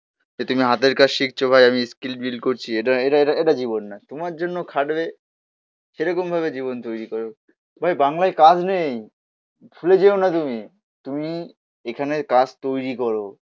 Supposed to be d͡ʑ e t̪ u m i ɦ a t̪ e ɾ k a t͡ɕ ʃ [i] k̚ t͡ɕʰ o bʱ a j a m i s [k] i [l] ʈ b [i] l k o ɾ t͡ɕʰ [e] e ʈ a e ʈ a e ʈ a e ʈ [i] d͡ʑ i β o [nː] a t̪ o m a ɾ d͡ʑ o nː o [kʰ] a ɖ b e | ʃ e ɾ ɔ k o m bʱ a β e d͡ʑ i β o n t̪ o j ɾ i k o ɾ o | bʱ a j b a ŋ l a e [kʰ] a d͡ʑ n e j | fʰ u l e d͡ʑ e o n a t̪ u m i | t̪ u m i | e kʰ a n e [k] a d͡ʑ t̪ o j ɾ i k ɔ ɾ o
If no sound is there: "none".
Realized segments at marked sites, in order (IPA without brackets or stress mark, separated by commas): i, k, l, i, i, a, nː, kʰ, k, k